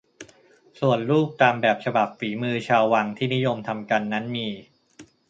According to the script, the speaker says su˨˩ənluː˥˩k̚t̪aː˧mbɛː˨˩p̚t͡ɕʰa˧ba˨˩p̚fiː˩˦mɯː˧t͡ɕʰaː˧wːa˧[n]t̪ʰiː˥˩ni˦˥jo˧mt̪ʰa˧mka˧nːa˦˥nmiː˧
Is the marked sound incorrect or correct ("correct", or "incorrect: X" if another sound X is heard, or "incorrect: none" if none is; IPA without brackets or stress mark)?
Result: incorrect: ŋ